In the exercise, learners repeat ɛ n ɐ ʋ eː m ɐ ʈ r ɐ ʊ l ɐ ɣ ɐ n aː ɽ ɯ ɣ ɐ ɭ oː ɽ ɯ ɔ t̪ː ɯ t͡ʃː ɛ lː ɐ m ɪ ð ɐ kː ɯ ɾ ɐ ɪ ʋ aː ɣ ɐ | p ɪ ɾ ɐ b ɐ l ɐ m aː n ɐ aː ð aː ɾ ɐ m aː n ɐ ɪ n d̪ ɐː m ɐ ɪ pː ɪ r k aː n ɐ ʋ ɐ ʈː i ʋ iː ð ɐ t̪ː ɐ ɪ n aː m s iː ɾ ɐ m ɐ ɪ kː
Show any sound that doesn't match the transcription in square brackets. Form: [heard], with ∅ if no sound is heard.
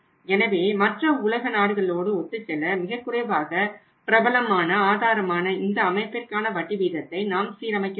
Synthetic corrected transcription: ɛ n ɐ ʋ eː m ɐ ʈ r ɐ ʊ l ɐ ɣ ɐ n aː ɽ ɯ ɣ ɐ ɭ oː ɽ ɯ ɔ t̪ː ɯ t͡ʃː ɛ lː ɐ m ɪ [ɣ] ɐ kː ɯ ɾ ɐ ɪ ʋ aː ɣ ɐ | p ɪ ɾ ɐ b ɐ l ɐ m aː n ɐ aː ð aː ɾ ɐ m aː n ɐ ɪ n d̪ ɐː m ɐ ɪ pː ɪ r k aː n ɐ ʋ ɐ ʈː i ʋ iː ð ɐ t̪ː ɐ ɪ n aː m s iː ɾ ɐ m ɐ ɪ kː